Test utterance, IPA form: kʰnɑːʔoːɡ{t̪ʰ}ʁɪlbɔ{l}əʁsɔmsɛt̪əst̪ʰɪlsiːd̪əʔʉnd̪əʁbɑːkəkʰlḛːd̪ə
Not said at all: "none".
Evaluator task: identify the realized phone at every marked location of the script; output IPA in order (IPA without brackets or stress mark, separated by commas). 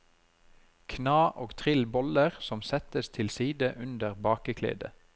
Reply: t̪ʰ, l